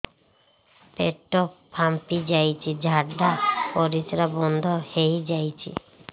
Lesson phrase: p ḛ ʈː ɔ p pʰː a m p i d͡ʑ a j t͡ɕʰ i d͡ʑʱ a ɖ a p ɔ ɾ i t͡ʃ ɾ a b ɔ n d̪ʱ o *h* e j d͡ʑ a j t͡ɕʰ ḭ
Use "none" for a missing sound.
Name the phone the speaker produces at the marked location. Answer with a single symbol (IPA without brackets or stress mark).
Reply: h